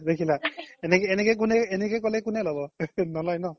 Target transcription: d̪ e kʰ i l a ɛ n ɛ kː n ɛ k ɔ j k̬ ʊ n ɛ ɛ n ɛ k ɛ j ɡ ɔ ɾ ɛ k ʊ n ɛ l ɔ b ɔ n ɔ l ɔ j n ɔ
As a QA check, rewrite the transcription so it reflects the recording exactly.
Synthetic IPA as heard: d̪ e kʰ i l a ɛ n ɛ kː n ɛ k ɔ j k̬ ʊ n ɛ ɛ n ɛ k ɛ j k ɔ l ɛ k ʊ n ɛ l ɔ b ɔ n ɔ l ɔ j n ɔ